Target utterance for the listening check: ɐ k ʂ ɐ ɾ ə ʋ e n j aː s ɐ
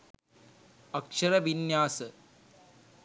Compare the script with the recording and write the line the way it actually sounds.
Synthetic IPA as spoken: ɐ k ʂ ɐ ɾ ɐ ʋ i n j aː s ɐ